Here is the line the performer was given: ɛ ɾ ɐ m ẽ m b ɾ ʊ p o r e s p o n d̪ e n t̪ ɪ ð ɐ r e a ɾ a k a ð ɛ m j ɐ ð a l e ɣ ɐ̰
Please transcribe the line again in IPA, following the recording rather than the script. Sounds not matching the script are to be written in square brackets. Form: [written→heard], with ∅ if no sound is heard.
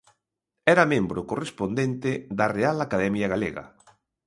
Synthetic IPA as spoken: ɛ ɾ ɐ m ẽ m b ɾ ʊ [p→k] o r e s p o n d̪ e n t̪ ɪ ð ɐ r e a [ɾ→l] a k a ð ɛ m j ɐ [ð→ɣ] a l e ɣ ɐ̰